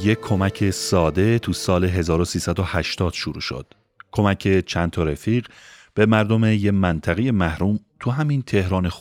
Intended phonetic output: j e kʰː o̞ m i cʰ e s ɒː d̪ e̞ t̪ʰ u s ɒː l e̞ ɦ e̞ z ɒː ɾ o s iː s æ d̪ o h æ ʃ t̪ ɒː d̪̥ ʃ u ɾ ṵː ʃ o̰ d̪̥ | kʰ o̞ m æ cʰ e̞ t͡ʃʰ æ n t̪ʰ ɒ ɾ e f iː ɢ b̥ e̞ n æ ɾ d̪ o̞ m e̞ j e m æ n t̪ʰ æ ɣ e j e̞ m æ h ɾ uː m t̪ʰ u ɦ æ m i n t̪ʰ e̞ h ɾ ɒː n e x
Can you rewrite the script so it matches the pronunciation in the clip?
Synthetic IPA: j e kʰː o̞ m æ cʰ e s ɒː d̪ e̞ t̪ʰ u s ɒː l e̞ ɦ e̞ z ɒː ɾ o s iː s æ d̪ o h æ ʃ t̪ ɒː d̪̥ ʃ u ɾ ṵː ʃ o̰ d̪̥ | kʰ o̞ m æ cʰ e̞ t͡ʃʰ æ n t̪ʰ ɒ ɾ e f iː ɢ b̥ e̞ m æ ɾ d̪ o̞ m e̞ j e m æ n t̪ʰ æ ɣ e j e̞ m æ h ɾ uː m t̪ʰ u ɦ æ m i n t̪ʰ e̞ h ɾ ɒː n e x